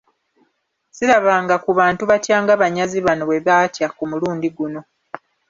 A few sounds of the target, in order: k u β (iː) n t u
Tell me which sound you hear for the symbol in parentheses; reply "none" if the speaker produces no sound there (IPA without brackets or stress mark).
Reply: aː